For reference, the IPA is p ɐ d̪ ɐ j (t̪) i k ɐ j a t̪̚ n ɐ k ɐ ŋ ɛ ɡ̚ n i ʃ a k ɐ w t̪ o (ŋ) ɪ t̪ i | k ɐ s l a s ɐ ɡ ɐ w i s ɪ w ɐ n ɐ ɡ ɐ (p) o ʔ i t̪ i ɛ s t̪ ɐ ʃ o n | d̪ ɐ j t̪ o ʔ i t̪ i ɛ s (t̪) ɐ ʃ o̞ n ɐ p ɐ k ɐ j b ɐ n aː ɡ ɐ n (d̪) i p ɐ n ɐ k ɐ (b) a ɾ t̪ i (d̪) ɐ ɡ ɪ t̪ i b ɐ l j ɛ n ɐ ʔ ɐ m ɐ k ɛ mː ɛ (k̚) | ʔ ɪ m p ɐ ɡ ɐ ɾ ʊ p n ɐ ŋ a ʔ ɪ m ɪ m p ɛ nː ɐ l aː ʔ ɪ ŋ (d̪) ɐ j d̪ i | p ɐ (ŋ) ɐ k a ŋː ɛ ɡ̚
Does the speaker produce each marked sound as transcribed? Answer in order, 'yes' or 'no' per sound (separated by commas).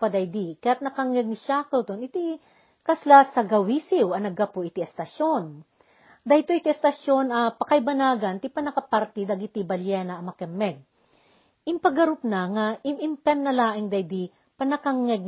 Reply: no, no, yes, yes, no, no, yes, no, yes, no